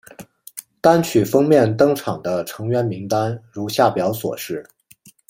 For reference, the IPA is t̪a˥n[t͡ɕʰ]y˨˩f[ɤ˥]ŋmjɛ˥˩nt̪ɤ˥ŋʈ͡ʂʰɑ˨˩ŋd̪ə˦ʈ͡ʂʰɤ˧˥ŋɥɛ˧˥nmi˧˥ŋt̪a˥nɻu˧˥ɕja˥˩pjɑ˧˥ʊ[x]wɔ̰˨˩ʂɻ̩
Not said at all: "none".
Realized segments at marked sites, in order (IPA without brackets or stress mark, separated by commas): t͡ɕʰ, ɤ˥, s